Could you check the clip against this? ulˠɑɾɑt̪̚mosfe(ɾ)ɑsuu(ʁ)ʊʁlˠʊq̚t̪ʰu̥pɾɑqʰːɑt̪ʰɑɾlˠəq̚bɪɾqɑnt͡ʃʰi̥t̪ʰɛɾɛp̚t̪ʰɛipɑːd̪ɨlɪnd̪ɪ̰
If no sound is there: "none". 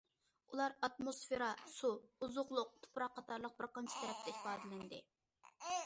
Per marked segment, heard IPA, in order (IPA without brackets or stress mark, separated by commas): ɾ, z